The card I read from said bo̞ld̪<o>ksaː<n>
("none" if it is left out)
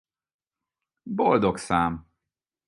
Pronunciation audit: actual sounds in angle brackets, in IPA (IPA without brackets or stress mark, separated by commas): o, m